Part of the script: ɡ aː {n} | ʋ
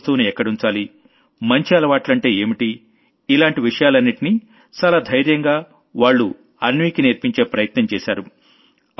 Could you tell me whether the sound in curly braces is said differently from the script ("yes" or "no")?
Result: yes